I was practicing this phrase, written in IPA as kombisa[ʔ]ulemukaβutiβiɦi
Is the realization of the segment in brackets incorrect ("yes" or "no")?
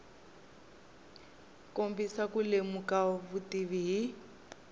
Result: yes